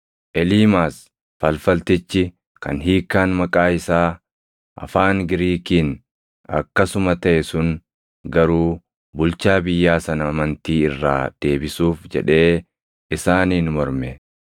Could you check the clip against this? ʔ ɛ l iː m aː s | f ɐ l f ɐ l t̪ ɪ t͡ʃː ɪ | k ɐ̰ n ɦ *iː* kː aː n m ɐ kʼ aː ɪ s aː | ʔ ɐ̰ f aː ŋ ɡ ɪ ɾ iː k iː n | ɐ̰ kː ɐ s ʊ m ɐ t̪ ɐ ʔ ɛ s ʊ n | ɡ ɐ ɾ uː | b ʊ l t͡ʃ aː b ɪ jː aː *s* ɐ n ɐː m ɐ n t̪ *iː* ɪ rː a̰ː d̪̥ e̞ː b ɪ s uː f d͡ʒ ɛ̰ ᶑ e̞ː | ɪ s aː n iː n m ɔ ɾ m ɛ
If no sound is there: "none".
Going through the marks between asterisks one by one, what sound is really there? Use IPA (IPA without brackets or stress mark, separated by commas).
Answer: iː, s, iː